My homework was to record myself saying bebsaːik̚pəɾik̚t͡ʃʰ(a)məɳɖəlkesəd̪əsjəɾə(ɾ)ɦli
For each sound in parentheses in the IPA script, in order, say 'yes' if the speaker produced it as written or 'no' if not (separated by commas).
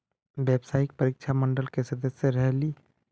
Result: yes, no